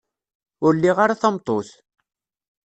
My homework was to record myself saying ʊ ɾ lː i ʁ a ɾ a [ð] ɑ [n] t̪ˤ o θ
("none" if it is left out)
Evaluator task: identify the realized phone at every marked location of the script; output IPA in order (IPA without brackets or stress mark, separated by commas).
θ, m